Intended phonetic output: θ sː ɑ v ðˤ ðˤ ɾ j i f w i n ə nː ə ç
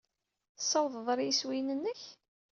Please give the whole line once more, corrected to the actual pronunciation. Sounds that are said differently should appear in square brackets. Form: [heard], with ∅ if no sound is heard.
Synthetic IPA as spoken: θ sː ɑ [w] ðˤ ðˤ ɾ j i [s] w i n ə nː ə ç